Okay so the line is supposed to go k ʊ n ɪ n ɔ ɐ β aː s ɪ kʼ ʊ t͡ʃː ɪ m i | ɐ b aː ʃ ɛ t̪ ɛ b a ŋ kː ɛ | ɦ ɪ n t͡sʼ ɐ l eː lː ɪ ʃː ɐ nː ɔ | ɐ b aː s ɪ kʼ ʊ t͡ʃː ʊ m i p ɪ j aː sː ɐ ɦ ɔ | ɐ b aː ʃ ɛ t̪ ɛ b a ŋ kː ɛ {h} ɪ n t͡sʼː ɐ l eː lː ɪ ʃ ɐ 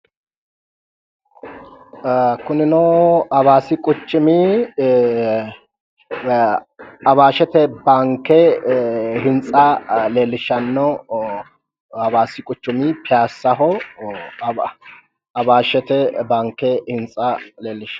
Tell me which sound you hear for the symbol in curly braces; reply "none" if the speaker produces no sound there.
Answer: h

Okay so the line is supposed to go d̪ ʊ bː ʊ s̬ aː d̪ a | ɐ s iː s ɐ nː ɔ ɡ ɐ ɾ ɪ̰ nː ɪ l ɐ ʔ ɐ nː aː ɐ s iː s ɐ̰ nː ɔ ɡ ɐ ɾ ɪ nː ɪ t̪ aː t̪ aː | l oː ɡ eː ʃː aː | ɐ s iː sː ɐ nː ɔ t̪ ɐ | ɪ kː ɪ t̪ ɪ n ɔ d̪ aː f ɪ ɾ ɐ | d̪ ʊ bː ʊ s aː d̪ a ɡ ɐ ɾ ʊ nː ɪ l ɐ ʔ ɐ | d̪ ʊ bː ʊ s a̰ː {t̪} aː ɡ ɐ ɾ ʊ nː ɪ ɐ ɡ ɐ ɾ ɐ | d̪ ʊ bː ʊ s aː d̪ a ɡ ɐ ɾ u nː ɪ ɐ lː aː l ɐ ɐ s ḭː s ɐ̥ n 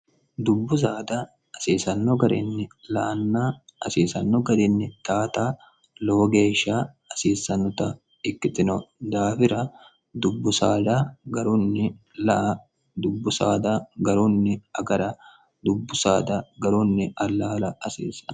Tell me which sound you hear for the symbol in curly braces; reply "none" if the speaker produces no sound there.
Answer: d̪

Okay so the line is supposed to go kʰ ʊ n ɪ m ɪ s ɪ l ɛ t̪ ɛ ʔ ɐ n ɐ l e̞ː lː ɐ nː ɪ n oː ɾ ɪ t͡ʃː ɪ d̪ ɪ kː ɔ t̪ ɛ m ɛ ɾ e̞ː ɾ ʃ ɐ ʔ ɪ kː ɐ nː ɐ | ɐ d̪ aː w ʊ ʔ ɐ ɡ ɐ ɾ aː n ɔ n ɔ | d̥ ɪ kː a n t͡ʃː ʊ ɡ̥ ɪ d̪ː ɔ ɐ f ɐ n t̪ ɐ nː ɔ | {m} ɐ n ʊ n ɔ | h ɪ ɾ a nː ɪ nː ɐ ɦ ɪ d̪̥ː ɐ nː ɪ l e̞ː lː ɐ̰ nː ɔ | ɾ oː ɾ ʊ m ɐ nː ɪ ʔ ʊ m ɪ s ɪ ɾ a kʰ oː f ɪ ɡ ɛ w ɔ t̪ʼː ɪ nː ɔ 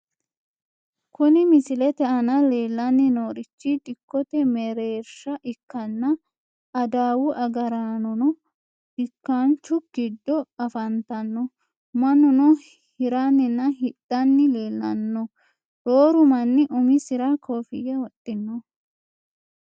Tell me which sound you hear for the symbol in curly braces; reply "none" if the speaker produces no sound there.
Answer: m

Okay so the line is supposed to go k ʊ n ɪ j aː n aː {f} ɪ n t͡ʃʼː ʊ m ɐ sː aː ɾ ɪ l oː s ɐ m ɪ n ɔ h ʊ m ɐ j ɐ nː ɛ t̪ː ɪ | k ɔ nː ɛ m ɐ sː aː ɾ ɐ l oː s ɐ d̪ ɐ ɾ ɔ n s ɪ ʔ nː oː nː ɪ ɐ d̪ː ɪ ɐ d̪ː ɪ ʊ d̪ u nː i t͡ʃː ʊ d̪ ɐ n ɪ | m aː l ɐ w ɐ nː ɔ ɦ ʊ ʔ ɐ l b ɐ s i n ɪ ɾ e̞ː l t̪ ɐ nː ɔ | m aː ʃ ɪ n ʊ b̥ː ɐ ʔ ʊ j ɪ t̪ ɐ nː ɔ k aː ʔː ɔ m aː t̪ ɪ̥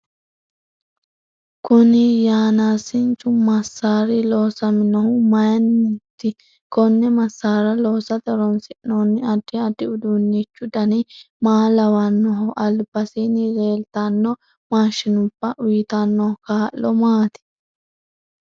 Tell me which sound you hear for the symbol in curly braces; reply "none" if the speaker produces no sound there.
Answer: s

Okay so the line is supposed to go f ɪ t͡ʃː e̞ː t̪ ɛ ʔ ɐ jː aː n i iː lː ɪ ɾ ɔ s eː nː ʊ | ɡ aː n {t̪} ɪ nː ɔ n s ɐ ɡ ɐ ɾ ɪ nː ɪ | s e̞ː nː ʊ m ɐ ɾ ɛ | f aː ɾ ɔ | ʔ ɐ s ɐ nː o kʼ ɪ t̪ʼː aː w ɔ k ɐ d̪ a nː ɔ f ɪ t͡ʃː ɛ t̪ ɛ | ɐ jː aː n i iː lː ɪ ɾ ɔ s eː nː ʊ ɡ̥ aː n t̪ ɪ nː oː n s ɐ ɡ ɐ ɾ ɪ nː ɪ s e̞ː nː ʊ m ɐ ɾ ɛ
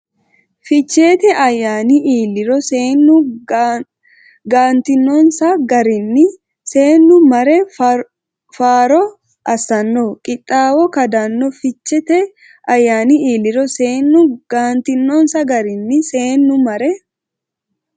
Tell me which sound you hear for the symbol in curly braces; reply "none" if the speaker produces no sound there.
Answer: t̪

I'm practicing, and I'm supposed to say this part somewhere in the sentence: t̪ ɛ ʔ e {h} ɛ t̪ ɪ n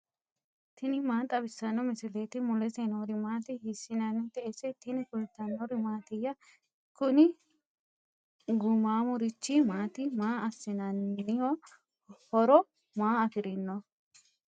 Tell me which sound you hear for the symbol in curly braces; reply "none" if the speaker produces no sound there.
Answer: s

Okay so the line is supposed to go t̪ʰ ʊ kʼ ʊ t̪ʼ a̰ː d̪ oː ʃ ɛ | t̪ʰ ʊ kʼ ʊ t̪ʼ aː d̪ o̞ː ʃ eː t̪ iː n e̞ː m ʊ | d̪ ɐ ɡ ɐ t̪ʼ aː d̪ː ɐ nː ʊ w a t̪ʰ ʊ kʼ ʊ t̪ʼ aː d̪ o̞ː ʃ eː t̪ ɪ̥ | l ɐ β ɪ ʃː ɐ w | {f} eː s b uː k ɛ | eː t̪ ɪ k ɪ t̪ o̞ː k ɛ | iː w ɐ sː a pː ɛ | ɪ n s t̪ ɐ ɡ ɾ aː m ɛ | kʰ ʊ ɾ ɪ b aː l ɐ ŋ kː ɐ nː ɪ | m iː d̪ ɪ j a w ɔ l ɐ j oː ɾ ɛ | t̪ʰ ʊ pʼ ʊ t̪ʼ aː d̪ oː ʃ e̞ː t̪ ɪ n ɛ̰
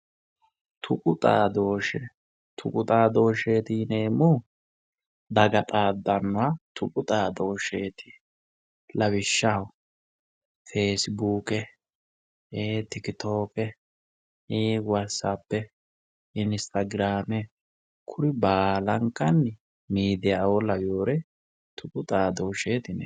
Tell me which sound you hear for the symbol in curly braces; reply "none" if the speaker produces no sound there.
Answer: f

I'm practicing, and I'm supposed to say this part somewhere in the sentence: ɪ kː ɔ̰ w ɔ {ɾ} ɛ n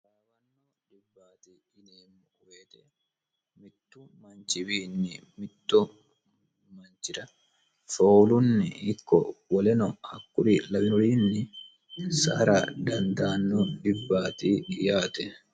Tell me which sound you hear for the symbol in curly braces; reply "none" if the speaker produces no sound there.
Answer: l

